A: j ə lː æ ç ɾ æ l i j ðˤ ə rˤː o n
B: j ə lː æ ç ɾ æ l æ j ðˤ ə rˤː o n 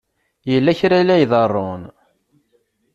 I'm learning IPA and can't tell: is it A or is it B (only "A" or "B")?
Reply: B